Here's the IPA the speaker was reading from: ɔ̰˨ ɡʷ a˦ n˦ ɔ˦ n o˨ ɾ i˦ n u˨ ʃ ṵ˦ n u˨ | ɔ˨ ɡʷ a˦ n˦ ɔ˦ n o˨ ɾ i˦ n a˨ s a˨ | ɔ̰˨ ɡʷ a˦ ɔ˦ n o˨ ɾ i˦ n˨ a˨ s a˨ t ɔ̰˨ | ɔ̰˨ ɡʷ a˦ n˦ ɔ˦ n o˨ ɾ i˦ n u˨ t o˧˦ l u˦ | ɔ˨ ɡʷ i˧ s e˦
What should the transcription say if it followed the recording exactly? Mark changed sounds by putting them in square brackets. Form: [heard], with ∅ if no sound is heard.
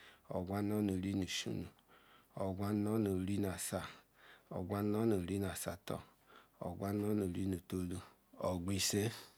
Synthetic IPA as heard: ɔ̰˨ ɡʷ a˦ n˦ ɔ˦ n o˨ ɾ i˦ n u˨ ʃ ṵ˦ n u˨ | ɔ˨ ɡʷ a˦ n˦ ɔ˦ n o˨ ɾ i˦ n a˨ s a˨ | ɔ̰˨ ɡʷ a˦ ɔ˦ n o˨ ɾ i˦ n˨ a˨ s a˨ t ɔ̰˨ | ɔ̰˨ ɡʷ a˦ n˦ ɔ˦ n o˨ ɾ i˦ n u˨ t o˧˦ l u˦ | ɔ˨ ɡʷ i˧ s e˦